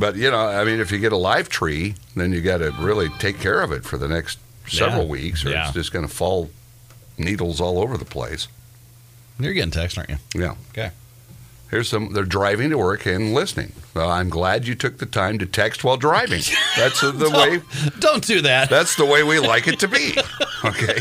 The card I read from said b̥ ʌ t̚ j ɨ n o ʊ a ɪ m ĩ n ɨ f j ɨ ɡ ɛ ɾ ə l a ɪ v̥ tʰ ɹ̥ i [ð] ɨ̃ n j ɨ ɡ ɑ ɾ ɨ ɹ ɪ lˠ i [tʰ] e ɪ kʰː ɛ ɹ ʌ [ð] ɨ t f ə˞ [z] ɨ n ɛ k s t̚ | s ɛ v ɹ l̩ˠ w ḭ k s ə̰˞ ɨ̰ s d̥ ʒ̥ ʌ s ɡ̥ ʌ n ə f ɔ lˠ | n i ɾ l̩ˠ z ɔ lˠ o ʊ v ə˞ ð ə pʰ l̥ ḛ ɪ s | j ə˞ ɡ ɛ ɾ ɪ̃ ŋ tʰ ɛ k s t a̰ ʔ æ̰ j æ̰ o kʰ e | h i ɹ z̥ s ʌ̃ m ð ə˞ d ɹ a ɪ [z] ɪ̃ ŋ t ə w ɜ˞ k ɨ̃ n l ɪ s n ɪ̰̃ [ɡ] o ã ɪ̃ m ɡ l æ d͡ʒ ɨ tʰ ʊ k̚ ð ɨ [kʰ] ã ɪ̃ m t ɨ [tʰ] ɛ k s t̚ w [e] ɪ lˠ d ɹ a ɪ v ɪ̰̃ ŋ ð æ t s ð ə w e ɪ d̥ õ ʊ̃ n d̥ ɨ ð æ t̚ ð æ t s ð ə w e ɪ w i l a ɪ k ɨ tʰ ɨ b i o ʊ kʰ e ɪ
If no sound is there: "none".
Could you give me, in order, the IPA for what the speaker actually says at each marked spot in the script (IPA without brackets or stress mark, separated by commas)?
ð, tʰ, v, ð, v, ŋ, tʰ, tʰ, a